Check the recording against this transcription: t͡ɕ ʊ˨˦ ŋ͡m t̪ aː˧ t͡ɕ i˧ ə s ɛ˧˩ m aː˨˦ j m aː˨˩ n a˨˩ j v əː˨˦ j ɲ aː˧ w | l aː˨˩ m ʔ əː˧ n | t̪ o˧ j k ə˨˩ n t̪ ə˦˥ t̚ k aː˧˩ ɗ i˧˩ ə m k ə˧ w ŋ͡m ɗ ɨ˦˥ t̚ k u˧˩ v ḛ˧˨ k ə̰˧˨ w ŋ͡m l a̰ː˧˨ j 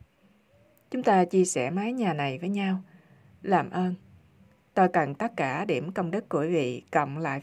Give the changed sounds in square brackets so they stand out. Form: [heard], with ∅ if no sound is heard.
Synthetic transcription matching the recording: t͡ɕ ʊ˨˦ ŋ͡m t̪ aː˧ t͡ɕ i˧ ə s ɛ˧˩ m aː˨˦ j [ɲ] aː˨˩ n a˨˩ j v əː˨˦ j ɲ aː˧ w | l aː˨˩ m ʔ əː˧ n | t̪ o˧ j k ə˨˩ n t̪ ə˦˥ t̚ k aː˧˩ ɗ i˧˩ ə m k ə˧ w ŋ͡m ɗ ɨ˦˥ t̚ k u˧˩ v [ḭ˧˨] k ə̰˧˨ w ŋ͡m l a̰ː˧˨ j